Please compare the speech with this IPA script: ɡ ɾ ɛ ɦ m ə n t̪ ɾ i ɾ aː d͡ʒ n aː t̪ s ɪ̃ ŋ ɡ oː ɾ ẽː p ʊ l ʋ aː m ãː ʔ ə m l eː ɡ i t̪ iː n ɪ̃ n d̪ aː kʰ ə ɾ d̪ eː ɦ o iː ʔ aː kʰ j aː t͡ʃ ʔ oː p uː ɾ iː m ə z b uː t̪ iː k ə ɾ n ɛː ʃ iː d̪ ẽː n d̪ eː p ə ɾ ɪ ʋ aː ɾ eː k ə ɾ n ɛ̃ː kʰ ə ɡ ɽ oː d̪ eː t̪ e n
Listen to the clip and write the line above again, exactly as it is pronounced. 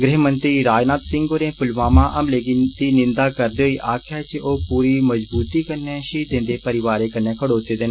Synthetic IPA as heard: ɡ ɾ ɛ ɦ m ə n t̪ ɾ iː ɾ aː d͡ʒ n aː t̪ s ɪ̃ ŋ ɡ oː ɾ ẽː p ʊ l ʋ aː m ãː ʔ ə m l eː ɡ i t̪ iː n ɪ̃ n d̪ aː k ə ɾ d̪ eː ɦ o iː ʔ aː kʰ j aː t͡ʃ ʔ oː p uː ɾ iː m ə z b uː t̪ iː k ə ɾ n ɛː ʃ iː d̪ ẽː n d̪ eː p ə ɾ ɪ ʋ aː ɾ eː k ə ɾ n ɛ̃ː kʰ ə ɽ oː t̪ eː d̪ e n

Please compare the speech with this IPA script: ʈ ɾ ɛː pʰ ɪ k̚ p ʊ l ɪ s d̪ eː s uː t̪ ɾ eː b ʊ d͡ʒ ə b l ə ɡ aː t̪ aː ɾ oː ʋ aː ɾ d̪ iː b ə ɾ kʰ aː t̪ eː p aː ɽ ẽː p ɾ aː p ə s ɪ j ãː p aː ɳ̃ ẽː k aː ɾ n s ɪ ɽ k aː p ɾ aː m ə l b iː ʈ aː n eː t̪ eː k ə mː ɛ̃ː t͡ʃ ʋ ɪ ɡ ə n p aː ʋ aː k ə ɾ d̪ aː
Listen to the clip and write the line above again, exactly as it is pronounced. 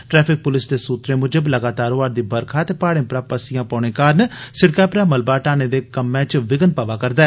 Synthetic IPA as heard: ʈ ɾ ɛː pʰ ɪ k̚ p ʊ l ɪ s d̪ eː s uː t̪ ɾ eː m ʊ d͡ʒ ə b l ə ɡ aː t̪ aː ɾ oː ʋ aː ɾ d̪ iː b ə ɾ kʰ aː t̪ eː p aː ɽ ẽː p ɾ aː p ə s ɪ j ãː p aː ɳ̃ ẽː k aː ɾ n s ɪ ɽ k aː p ɾ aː m ə l b aː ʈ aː n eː d̪ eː k ə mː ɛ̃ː t͡ʃ ʋ ɪ ɡ ə n p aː ʋ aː k ə ɾ d̪ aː

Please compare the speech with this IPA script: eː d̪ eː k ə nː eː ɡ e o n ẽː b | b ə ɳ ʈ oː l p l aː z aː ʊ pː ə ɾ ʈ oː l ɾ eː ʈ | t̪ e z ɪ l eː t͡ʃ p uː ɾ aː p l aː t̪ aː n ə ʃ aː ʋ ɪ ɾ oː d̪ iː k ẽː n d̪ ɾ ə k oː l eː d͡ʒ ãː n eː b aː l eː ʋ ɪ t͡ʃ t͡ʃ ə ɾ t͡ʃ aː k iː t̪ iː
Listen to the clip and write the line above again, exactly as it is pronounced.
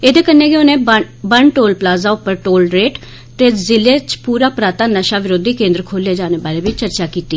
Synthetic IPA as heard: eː d̪ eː k ə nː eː ɡ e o n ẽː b | b ə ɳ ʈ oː l p l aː z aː ʊ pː ə ɾ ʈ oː l ɾ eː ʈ | t̪ e z ɪ l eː t͡ʃ p uː ɾ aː p ɾ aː t̪ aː n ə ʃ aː ʋ ɪ ɾ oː d̪ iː k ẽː n d̪ ɾ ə kʰ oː l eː d͡ʒ aː n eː b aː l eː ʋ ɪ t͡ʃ t͡ʃ ə ɾ t͡ʃ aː k iː t̪ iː

